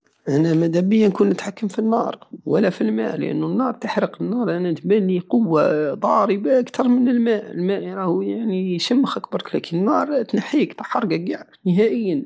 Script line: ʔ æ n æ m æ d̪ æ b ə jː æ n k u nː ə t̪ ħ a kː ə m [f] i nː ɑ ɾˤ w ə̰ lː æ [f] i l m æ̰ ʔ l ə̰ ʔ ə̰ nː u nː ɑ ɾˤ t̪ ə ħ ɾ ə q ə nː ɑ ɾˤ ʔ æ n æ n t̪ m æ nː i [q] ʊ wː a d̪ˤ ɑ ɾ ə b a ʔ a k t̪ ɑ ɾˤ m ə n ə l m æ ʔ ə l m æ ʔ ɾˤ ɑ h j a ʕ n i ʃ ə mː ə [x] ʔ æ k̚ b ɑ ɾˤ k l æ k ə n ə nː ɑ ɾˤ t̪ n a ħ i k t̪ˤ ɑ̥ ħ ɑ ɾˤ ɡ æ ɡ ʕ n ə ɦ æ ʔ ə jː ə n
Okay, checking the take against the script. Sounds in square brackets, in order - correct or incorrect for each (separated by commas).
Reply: correct, correct, correct, correct